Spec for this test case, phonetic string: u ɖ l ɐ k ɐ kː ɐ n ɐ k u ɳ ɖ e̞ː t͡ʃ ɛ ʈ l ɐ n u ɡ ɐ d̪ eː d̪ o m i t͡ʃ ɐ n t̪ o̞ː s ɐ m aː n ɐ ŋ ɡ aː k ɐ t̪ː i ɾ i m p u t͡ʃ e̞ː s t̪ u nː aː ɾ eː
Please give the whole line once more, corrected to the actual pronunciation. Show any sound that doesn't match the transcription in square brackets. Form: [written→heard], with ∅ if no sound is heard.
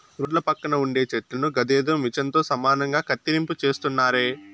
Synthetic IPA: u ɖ l ɐ [k→p] ɐ kː ɐ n ɐ [k→∅] u ɳ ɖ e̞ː t͡ʃ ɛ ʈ l ɐ n u ɡ ɐ d̪ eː d̪ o m i t͡ʃ ɐ n t̪ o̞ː s ɐ m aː n ɐ ŋ ɡ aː k ɐ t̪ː i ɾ i m p u t͡ʃ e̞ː s t̪ u nː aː ɾ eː